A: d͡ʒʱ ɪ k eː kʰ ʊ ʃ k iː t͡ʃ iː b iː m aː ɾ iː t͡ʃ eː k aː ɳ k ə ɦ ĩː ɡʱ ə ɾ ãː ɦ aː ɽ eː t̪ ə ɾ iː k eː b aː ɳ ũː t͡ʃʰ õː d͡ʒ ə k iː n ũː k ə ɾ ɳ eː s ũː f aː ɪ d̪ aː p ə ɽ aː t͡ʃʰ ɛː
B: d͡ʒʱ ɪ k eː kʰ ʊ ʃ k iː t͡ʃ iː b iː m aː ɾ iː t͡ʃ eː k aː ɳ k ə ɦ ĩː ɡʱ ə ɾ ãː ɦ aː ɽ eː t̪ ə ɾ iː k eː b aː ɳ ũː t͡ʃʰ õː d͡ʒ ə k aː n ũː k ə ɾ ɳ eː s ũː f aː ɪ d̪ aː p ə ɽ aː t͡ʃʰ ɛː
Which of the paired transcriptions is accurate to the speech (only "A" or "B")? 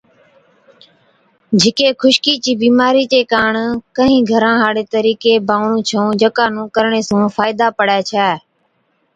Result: B